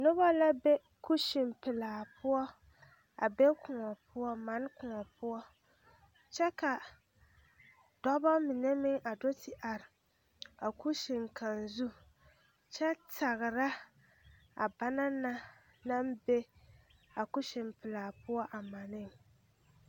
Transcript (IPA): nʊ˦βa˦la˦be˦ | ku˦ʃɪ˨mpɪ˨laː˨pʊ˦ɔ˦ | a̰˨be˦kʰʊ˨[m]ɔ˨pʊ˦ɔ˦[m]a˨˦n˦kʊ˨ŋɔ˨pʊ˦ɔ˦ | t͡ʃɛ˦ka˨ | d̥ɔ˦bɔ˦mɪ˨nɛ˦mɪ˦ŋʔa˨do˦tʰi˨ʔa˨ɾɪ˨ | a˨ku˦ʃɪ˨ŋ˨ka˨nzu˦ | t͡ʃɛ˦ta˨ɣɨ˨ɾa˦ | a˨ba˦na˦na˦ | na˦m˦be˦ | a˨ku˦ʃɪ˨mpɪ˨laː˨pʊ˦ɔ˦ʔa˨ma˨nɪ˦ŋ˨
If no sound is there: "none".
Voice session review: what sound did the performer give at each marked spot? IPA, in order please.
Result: ŋ, m

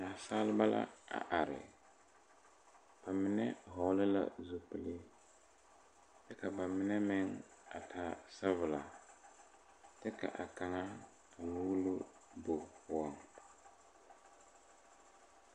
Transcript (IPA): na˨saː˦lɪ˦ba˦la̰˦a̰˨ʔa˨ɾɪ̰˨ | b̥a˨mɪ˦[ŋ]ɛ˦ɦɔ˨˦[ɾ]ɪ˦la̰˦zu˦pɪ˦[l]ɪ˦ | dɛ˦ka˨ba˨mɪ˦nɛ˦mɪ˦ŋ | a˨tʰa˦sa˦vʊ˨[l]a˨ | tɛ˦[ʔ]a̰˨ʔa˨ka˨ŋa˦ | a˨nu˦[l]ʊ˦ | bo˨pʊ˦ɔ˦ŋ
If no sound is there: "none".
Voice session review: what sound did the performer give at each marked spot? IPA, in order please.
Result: n, l, l, l, k, l

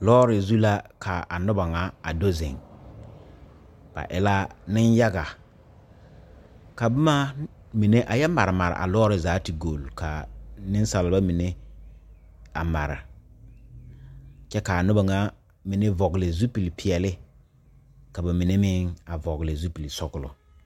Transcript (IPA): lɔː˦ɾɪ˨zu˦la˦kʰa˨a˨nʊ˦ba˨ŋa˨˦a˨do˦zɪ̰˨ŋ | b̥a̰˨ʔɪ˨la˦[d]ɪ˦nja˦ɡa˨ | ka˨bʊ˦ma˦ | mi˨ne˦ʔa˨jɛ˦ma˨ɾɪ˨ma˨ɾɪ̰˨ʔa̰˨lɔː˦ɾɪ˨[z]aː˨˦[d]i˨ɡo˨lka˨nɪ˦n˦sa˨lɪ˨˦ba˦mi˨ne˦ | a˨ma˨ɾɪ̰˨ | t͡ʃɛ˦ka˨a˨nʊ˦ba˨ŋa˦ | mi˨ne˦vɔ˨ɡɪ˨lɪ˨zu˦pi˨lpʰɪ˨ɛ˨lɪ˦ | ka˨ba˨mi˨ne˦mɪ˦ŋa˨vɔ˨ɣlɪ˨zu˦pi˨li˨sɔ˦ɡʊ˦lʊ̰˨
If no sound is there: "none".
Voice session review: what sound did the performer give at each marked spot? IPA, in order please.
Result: n, z, t

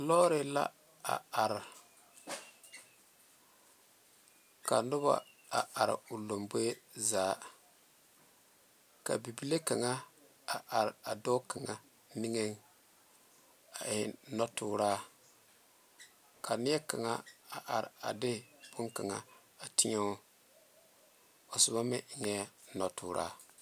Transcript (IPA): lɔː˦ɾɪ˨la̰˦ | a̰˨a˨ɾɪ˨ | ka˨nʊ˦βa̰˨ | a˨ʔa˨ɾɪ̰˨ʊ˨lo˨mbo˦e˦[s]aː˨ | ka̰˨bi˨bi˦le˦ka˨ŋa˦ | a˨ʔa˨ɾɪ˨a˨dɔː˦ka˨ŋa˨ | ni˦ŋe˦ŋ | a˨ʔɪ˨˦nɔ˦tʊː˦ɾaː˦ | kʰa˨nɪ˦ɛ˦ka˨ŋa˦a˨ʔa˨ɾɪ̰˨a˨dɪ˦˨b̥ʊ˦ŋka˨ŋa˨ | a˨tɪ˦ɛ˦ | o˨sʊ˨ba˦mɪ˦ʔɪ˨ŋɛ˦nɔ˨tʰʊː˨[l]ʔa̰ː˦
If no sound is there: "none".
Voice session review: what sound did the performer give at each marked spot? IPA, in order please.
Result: z, ɾ

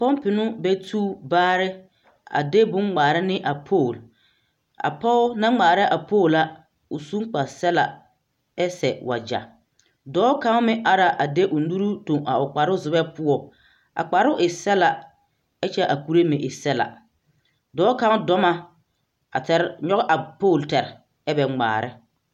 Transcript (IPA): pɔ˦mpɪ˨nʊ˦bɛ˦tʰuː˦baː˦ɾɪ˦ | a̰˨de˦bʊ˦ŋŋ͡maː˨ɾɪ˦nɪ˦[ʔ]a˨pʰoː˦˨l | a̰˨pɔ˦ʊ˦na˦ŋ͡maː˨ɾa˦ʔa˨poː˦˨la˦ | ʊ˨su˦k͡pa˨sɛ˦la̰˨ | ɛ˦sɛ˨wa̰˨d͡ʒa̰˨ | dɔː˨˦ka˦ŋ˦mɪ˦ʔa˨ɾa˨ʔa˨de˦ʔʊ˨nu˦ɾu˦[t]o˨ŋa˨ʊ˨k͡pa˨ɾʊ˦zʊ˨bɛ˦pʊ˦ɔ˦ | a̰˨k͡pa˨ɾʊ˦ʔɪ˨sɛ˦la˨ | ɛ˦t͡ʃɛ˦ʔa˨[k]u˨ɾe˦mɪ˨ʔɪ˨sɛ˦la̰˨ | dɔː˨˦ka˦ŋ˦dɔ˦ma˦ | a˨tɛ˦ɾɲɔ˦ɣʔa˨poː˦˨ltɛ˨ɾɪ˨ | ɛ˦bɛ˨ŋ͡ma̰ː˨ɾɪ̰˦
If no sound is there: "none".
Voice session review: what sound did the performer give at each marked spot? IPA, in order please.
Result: ʔ, t, k

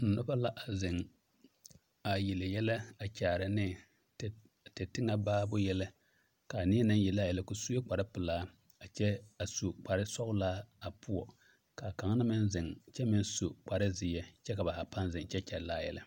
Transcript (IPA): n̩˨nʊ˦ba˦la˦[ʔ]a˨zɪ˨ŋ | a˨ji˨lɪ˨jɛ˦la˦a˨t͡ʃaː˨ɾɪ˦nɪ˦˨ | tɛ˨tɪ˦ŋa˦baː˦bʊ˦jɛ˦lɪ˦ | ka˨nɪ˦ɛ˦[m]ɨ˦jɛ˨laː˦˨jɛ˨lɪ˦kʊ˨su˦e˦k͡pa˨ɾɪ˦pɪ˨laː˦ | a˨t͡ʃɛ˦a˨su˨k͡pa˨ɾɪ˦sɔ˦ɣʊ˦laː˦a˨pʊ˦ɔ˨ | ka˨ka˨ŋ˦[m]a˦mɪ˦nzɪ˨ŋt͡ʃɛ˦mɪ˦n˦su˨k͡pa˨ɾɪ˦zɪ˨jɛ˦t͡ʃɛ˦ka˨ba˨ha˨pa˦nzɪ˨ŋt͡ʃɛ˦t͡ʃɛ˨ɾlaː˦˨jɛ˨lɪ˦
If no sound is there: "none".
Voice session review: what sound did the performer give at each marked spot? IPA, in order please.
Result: ʔ, n, n

